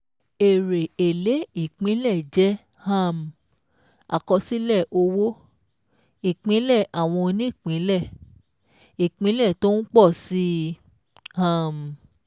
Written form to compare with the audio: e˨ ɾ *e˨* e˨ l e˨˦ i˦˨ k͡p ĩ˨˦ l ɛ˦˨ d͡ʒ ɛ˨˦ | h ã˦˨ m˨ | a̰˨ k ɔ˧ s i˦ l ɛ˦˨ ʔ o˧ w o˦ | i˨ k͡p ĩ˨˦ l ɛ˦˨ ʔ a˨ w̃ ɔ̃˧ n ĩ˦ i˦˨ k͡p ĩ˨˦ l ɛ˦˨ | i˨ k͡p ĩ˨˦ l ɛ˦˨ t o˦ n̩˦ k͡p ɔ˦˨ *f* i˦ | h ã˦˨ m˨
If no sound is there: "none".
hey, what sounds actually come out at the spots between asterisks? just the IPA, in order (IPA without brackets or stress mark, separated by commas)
e˨, s